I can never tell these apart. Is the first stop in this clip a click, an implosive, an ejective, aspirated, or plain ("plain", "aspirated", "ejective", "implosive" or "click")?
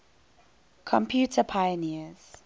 aspirated